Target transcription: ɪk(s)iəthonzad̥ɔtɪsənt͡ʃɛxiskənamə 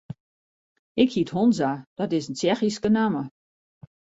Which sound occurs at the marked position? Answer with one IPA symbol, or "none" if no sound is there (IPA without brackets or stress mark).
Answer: h